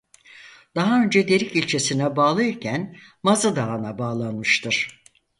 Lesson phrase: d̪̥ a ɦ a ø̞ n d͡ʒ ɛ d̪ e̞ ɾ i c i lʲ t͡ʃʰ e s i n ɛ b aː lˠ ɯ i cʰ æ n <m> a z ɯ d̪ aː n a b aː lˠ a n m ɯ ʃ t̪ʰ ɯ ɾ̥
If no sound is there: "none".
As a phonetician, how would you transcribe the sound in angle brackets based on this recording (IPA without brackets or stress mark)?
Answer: m